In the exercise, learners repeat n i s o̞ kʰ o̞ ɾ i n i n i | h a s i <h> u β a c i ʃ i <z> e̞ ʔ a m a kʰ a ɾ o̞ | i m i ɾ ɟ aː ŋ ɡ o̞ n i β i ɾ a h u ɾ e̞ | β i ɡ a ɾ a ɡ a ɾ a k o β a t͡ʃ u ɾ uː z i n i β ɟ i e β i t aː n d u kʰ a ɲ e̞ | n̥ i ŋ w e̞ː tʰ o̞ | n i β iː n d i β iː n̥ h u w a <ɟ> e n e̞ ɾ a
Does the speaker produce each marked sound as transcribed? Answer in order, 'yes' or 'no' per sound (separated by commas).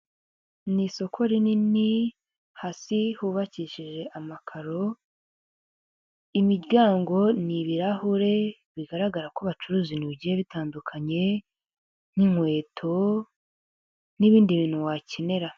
yes, no, no